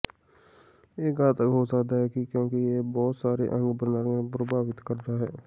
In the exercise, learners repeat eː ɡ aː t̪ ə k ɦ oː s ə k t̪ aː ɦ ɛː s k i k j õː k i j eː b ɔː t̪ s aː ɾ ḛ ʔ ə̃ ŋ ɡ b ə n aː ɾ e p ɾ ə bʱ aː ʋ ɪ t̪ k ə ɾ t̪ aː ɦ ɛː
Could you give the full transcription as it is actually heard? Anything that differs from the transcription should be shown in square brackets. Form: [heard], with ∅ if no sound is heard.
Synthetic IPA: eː ɡ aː t̪ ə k ɦ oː s ə k [d̪] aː ɦ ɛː [∅] k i k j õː k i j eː b ɔː t̪ s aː ɾ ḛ ʔ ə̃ ŋ ɡ b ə n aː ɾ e p ɾ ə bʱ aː ʋ ɪ t̪ k ə ɾ [d̪] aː ɦ ɛː